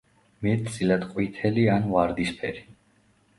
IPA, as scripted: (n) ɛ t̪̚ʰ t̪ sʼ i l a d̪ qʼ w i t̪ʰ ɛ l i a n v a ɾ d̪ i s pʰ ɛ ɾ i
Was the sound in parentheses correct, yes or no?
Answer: no